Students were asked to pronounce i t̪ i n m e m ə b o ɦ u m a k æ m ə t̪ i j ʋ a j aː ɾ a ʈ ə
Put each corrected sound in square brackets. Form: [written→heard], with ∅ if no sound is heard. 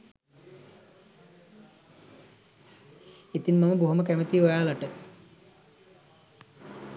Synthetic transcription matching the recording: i t̪ i n m [e→a] m ə b o ɦ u m [a→ə] k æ m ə t̪ i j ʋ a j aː [ɾ→l] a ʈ ə